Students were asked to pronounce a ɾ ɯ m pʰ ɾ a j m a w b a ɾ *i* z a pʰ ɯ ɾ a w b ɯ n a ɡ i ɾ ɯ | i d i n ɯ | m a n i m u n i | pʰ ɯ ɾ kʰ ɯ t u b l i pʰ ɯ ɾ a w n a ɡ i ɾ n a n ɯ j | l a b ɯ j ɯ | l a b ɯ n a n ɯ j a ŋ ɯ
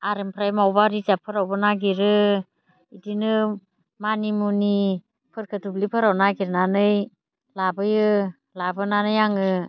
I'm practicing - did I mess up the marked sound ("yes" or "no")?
no